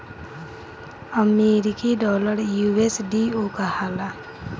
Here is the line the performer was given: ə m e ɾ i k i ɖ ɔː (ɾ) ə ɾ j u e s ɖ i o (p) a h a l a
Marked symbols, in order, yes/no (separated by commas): no, no